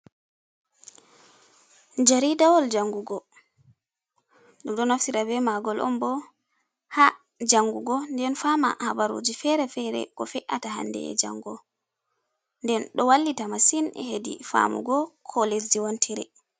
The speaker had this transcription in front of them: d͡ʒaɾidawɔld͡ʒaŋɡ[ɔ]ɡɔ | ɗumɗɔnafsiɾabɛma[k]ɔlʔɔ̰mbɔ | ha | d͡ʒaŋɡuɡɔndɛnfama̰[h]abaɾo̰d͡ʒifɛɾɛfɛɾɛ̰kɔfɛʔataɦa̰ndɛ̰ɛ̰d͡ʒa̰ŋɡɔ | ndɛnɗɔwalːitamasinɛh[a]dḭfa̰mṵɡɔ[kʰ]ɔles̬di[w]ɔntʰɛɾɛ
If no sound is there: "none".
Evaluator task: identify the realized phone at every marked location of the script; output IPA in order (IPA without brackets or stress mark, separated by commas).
u, ɡ, h, e, kʰ, w